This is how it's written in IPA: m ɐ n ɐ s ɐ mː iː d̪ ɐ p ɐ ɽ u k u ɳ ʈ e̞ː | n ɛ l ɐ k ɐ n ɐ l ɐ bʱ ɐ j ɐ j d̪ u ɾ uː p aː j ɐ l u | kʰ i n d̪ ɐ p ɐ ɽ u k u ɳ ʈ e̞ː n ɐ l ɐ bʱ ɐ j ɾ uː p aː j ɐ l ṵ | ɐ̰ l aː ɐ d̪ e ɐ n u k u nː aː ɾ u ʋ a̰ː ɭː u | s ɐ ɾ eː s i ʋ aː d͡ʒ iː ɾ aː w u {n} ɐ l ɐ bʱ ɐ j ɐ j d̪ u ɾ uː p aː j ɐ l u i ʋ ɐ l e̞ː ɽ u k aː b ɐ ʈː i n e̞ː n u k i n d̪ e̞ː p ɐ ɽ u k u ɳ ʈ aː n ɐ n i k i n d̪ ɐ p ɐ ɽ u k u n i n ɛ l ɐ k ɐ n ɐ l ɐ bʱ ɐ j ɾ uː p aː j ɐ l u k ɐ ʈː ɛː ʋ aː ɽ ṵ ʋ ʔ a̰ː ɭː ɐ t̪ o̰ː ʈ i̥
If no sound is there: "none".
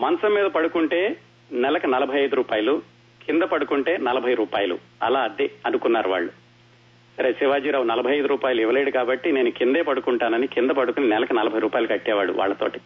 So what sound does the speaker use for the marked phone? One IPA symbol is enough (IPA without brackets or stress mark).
n